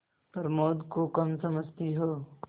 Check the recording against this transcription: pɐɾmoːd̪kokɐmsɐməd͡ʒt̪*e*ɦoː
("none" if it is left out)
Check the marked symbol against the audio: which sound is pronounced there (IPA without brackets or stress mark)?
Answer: i